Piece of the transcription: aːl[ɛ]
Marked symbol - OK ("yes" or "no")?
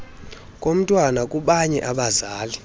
no